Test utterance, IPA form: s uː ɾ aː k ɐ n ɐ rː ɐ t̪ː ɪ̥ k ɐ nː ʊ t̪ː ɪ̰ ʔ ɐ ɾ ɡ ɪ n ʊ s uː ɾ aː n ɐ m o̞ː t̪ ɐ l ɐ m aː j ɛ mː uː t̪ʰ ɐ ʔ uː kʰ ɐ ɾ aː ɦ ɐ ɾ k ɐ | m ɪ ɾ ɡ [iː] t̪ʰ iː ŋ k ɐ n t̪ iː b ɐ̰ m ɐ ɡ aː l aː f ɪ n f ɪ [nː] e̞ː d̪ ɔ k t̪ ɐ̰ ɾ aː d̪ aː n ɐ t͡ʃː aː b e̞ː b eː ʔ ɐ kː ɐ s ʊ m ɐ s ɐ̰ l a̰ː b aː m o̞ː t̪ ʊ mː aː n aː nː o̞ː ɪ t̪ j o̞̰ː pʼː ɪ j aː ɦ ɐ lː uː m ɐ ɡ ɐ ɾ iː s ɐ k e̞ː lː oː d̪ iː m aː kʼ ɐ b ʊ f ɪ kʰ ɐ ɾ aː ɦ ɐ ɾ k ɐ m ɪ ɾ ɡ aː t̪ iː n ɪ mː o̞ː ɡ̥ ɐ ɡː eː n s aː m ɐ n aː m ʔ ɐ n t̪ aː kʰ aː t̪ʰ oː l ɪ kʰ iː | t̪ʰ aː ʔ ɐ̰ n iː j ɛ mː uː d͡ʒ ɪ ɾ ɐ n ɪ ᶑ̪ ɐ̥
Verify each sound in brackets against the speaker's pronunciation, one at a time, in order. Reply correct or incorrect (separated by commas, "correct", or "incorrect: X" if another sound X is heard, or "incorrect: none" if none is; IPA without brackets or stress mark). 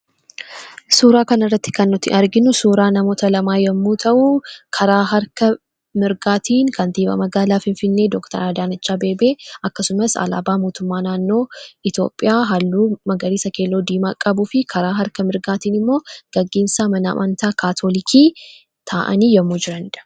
incorrect: aː, correct